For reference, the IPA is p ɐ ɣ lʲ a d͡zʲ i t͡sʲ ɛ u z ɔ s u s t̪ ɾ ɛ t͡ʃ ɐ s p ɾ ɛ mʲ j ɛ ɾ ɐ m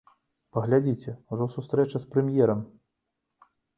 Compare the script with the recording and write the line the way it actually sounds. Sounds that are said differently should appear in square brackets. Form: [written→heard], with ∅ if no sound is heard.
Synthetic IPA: p ɐ ɣ lʲ a d͡zʲ i t͡sʲ ɛ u [z→ʐ] ɔ s u s t̪ ɾ ɛ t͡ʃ ɐ s p ɾ ɛ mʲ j ɛ ɾ ɐ m